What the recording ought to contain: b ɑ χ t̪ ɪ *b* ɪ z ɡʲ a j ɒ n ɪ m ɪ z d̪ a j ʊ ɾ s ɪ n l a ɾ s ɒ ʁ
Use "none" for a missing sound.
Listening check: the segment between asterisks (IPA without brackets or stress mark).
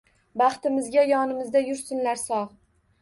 m